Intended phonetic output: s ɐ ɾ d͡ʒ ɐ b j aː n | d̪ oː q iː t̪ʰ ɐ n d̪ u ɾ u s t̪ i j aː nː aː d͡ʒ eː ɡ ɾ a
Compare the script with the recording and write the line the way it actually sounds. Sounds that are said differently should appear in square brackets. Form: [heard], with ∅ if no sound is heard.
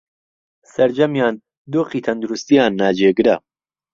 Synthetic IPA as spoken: s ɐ ɾ d͡ʒ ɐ [m] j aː n | d̪ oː q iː t̪ʰ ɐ n d̪ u ɾ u s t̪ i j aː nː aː d͡ʒ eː ɡ ɾ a